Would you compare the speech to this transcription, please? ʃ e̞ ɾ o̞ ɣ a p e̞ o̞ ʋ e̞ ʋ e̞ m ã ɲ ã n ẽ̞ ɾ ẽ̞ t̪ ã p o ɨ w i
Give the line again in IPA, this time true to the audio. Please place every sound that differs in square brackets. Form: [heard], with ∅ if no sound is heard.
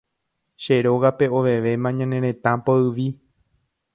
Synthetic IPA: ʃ e̞ ɾ o̞ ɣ a p e̞ o̞ ʋ e̞ ʋ e̞ m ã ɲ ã n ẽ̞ ɾ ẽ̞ t̪ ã p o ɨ [ʋ] i